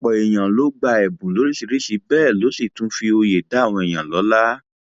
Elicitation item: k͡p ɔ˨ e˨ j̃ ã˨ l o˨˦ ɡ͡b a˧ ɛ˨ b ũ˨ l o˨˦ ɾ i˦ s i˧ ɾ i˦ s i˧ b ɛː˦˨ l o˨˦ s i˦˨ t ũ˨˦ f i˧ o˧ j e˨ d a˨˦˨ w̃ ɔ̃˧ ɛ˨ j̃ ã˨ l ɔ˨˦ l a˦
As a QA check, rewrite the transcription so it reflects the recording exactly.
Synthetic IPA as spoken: k͡p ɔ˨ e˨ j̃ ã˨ l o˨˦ ɡ͡b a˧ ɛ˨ b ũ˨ l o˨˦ ɾ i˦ s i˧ ɾ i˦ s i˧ b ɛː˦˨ l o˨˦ s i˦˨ t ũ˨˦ f i˧ o˧ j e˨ d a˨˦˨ w̃ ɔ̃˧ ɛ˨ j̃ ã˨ l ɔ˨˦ l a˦